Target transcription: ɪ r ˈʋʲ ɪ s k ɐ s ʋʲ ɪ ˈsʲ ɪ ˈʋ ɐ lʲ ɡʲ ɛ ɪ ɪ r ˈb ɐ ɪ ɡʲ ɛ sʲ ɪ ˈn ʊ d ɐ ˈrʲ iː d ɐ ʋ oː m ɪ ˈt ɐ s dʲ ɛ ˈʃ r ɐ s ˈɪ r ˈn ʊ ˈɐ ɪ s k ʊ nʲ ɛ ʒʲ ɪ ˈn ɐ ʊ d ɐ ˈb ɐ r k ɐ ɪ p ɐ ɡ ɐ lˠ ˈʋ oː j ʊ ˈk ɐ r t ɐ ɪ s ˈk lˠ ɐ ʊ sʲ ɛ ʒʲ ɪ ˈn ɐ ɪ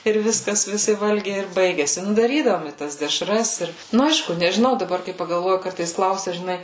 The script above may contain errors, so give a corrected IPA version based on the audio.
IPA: ɪ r ˈʋʲ ɪ s k ɐ s ʋʲ ɪ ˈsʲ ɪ ˈʋ ɐ lʲ ɡʲ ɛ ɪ ɪ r ˈb ɐ ɪ ɡʲ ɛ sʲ ɪ ˈn ʊ d ɐ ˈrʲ iː d ɐ ʋ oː m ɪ ˈt ɐ s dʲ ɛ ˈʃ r ɐ s ˈɪ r ˈn ʊ ˈɐ ɪ ʃ k ʊ nʲ ɛ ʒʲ ɪ ˈn ɐ ʊ d ɐ ˈb ɐ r k ɐ ɪ p ɐ ɡ ɐ lˠ ˈʋ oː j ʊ ˈk ɐ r t ɐ ɪ s ˈk lˠ ɐ ʊ sʲ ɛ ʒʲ ɪ ˈn ɐ ɪ